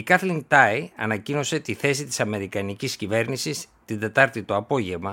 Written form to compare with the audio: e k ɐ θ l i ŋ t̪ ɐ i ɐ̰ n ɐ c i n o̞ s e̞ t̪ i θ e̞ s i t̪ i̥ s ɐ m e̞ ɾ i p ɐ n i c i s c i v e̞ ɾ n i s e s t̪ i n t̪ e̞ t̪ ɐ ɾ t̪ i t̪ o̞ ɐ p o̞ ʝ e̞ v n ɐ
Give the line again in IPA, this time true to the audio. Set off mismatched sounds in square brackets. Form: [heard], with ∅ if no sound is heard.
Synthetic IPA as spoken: [i] k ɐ θ l i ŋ t̪ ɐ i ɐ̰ n ɐ c i n o̞ s e̞ t̪ i θ e̞ s i t̪ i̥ s ɐ m e̞ ɾ i [k] ɐ n i c i s c i v e̞ ɾ n i s [i] s t̪ i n [d̪] e̞ t̪ ɐ ɾ t̪ i t̪ o̞ ɐ p o̞ ʝ e̞ v [m] ɐ